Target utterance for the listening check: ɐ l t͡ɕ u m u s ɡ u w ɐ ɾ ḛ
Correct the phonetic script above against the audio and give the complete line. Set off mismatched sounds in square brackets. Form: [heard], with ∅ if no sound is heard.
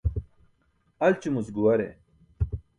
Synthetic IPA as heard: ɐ l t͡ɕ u m u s ɡ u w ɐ ɾ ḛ

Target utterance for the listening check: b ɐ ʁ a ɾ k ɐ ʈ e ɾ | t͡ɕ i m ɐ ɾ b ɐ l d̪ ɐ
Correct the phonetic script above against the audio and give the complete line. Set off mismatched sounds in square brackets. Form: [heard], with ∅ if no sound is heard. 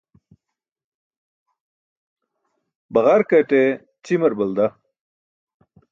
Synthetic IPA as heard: b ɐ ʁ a ɾ k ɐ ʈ e [∅] | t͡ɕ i m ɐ ɾ b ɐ l d̪ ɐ

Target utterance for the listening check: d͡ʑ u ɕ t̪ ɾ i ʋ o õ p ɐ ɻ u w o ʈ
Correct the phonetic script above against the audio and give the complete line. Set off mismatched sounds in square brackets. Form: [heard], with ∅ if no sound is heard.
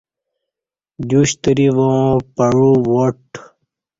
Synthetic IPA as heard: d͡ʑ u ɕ t̪ ɾ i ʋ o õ p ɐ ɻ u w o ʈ

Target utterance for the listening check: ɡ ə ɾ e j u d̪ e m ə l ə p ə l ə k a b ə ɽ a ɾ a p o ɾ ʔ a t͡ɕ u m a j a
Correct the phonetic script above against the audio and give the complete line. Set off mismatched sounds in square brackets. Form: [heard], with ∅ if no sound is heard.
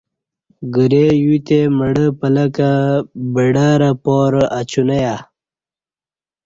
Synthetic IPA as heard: ɡ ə ɾ e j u [t̪] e m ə [ɽ] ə p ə l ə k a b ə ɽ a ɾ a p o ɾ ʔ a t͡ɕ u [n] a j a

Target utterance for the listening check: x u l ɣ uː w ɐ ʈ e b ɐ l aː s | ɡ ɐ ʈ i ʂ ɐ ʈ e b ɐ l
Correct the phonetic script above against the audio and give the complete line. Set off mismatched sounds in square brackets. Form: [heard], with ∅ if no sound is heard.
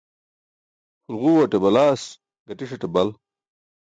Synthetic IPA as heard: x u l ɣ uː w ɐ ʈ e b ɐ l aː s | ɡ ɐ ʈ i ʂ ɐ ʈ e b ɐ l

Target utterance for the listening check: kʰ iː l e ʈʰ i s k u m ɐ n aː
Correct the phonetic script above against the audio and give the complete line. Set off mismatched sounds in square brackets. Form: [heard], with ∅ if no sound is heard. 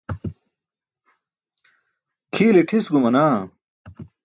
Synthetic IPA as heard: kʰ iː l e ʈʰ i s [ɡ] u m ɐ n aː

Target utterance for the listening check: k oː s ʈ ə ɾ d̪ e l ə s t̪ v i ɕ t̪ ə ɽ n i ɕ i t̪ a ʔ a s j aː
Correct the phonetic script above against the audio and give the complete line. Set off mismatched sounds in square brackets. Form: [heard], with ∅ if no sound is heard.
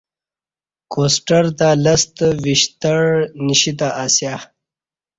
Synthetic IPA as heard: k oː s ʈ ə ɾ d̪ [a] l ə s t̪ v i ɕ t̪ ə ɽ n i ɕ i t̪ a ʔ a s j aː

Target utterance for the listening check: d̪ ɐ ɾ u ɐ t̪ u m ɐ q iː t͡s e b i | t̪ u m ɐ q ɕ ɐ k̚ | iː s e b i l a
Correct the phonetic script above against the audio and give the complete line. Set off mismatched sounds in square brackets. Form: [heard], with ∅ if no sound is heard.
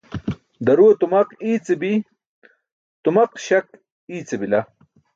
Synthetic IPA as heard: d̪ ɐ ɾ u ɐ t̪ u m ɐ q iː t͡s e b i | t̪ u m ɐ q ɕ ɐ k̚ | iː [t͡s] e b i l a

